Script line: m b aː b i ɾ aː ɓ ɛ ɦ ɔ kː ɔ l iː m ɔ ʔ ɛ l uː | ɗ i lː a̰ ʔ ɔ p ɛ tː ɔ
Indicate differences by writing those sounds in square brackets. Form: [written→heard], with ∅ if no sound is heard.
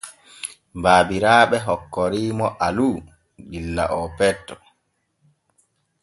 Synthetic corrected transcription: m b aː b i ɾ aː ɓ ɛ ɦ ɔ kː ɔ [l→ɾ] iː m ɔ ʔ [ɛ→a] l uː | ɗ i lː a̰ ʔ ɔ p ɛ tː ɔ

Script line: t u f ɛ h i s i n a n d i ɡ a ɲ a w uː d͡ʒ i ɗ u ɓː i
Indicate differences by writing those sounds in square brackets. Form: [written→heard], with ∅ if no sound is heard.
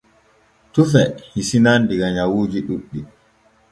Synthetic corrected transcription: t u f ɛ h i s i n a n d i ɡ a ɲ a w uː d͡ʒ i ɗ u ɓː i

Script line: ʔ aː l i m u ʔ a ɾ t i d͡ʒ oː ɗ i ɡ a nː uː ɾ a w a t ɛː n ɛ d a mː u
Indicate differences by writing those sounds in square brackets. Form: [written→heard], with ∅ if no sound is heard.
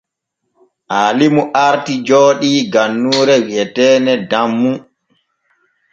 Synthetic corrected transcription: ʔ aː l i m u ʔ a ɾ t i d͡ʒ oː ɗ i ɡ a nː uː ɾ [a→ɛ] w [a→ɛ] t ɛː n ɛ d a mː u

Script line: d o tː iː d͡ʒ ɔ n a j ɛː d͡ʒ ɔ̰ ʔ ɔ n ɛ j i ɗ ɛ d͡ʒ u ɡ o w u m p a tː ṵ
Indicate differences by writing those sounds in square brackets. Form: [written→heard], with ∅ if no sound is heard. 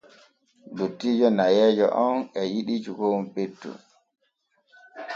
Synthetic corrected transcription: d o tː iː d͡ʒ ɔ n a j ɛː d͡ʒ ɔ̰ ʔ ɔ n ɛ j i ɗ [ɛ→i] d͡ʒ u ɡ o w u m p [a→e] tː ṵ

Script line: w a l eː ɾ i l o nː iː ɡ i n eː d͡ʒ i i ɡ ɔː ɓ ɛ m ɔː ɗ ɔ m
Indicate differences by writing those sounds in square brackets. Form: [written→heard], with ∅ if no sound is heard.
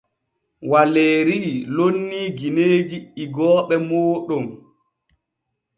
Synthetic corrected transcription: w a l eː ɾ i l o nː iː ɡ i n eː d͡ʒ i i ɡ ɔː ɓ ɛ m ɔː ɗ ɔ m

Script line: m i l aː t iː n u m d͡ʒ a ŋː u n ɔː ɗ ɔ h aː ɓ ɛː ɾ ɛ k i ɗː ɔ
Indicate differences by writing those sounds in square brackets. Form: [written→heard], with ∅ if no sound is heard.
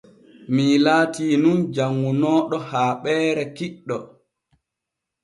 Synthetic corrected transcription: m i l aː t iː n u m d͡ʒ a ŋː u n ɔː ɗ ɔ h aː ɓ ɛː ɾ ɛ k i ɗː ɔ

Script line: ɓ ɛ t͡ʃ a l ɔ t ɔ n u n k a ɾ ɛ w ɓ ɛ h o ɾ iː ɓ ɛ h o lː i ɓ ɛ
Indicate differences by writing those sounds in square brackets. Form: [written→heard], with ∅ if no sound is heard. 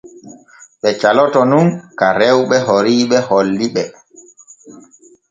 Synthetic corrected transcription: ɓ ɛ t͡ʃ a l ɔ t ɔ n u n k a ɾ ɛ w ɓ ɛ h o ɾ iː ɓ ɛ h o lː i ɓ ɛ

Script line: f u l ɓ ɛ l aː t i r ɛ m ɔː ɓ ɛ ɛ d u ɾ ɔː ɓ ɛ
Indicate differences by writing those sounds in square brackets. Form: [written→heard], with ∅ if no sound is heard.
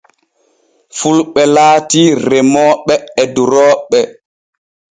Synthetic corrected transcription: f u l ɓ ɛ l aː t i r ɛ m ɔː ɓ ɛ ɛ d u ɾ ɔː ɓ ɛ

